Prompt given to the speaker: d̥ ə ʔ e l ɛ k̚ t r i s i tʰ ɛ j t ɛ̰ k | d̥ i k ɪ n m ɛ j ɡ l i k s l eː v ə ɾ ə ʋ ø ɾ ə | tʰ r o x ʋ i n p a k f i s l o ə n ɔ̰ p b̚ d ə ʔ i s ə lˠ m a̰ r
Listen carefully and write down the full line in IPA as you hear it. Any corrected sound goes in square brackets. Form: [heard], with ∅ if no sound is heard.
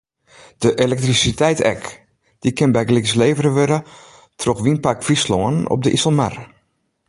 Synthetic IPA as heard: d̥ ə ʔ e l ɛ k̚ t r i s i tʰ ɛ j t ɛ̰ k | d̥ i k ɪ n [b] ɛ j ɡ l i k s l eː v ə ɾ ə ʋ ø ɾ ə | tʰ r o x ʋ i n p a k f i s l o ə n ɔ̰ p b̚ d ə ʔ i s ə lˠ m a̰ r